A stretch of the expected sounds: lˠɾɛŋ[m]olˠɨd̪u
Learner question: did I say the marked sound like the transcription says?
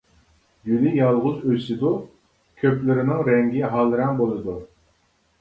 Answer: no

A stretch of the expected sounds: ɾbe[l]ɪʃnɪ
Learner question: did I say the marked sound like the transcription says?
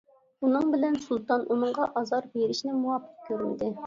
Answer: no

